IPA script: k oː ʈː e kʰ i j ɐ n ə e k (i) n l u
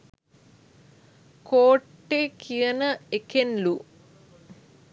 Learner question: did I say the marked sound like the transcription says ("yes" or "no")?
no